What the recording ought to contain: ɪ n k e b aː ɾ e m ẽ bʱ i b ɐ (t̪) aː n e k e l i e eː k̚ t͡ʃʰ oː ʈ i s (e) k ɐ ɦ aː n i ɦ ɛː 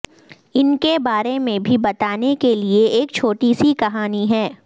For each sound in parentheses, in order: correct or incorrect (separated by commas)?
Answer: correct, incorrect